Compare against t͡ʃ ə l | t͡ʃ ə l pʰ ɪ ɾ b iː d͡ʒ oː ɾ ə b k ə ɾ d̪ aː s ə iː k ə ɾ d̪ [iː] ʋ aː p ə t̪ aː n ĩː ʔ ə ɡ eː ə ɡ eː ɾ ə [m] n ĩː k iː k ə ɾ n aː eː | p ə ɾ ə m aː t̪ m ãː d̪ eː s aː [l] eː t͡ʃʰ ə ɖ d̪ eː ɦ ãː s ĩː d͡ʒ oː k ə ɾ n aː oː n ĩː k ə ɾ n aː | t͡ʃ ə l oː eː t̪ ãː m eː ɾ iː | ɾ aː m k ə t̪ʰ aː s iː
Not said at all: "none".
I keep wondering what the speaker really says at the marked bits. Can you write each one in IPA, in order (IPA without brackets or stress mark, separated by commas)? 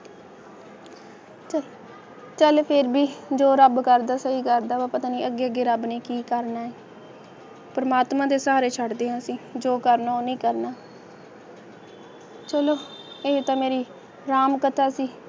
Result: aː, b, ɾ